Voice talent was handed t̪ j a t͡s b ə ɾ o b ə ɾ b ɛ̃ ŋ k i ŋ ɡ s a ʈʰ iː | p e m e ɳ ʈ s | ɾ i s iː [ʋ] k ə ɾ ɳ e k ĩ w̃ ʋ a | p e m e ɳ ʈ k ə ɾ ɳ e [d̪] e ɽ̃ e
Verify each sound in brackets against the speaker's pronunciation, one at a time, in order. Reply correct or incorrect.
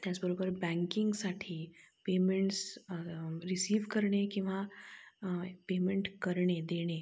correct, correct

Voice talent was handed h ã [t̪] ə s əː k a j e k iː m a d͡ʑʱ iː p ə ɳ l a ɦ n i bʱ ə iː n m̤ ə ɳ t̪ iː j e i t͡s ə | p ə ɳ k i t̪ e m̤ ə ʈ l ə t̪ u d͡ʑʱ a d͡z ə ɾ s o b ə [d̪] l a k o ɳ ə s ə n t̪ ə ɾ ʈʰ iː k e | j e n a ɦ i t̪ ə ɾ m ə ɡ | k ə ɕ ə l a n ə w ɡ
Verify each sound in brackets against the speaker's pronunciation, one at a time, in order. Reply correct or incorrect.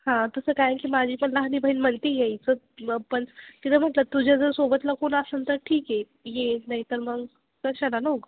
correct, incorrect

